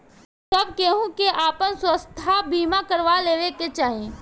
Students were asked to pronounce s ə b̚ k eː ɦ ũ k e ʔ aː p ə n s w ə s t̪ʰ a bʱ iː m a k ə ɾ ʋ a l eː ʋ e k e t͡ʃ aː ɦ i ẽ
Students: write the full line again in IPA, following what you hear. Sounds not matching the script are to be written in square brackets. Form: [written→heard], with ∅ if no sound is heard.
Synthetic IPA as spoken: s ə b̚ k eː ɦ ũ k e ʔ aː p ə n s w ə s t̪ʰ a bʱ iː m a k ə ɾ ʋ a l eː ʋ e k e t͡ʃ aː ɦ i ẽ